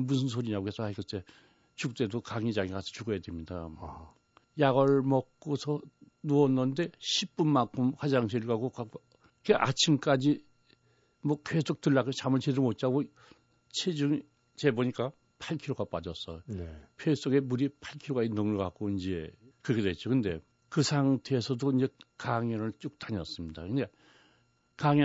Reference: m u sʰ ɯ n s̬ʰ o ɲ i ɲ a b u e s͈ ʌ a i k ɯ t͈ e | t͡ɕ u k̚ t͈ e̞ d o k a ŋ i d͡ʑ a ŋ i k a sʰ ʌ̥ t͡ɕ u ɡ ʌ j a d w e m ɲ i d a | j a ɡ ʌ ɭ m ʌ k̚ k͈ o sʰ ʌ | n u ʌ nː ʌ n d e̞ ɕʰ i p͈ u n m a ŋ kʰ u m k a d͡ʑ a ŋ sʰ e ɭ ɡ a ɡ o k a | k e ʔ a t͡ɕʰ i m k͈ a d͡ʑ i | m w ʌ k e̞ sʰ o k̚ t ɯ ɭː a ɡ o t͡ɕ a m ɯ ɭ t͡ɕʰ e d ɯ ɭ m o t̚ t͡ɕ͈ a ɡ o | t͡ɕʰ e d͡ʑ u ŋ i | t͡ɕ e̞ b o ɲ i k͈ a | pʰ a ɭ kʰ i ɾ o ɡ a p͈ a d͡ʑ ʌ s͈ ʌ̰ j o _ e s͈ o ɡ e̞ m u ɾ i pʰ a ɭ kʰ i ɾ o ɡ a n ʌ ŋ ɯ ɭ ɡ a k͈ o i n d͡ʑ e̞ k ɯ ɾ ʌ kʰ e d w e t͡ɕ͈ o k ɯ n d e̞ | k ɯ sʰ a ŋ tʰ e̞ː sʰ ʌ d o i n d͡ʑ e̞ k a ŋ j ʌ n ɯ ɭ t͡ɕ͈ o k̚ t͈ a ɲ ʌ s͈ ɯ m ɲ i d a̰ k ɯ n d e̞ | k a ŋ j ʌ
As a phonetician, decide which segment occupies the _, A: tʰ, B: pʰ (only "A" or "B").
B